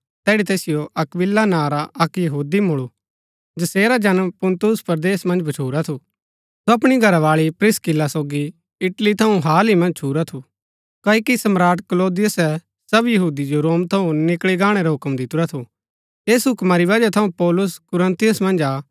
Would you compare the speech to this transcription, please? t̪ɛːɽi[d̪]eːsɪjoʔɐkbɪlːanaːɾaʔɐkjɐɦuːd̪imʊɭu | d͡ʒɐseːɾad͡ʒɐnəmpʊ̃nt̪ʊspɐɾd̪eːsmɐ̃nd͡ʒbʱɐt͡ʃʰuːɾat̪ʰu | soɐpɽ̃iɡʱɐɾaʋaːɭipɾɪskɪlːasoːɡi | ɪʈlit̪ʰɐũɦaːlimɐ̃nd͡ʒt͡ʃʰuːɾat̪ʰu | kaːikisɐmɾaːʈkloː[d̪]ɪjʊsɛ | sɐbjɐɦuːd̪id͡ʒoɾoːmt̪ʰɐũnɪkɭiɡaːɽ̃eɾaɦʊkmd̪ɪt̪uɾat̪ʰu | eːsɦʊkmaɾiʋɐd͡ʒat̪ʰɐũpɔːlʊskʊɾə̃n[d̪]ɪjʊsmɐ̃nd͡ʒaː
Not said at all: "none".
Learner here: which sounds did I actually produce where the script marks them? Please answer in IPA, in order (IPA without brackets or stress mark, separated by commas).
t̪, d̪, t̪